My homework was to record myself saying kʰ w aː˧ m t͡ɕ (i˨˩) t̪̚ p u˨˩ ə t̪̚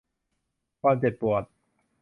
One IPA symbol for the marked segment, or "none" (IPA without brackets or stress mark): e˨˩